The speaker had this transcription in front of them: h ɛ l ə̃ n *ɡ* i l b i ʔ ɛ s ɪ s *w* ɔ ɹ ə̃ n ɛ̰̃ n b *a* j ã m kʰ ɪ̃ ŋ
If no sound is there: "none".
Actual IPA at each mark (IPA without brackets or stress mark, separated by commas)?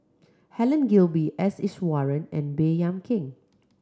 ɡ, w, e